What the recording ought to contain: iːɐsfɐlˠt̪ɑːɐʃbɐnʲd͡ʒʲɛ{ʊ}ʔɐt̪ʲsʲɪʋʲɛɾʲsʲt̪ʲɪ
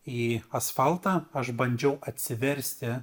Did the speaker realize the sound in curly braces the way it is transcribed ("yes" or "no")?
yes